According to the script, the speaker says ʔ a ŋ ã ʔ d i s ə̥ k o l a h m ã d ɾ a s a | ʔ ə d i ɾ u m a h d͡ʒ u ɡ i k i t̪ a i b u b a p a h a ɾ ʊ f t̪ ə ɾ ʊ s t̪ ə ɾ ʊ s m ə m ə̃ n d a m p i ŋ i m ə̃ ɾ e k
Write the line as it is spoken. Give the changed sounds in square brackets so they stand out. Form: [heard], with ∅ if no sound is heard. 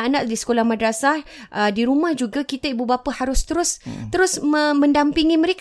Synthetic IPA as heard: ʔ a [n] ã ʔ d i s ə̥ k o l a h m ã d ɾ a s a | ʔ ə d i ɾ u m a h d͡ʒ u ɡ [a] k i t̪ a i b u b a p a h a ɾ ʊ [s] t̪ ə ɾ ʊ s t̪ ə ɾ ʊ s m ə m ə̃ n d a m p i ŋ i m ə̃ ɾ e k